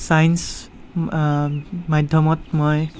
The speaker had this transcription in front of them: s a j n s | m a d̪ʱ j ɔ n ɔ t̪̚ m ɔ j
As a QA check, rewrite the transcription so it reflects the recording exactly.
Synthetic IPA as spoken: s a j n s | m a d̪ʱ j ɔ m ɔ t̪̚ m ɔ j